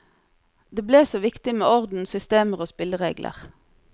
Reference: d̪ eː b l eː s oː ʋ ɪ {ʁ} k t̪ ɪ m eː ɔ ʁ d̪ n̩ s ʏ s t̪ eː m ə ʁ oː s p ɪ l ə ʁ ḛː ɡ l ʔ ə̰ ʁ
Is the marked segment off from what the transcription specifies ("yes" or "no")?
yes